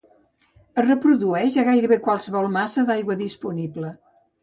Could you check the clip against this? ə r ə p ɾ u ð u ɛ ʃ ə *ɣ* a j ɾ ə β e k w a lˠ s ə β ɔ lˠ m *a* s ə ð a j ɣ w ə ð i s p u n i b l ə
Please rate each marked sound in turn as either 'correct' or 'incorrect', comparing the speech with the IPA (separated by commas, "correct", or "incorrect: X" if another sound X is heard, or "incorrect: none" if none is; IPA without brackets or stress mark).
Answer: correct, correct